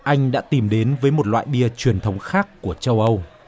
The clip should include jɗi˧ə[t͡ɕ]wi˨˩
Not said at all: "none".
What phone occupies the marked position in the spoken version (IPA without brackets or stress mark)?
t͡ɕ